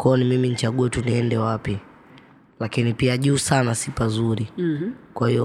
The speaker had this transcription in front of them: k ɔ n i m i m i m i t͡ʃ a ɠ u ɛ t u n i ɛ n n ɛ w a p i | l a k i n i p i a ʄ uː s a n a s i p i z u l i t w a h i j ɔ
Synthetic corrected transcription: k ɔ n i m i m i n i t͡ʃ a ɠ u ɛ t u n i ɛ n d ɛ w a p i | l a k i n i p i a ʄ uː s a n a s i p a z u ɾ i k w a h i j ɔ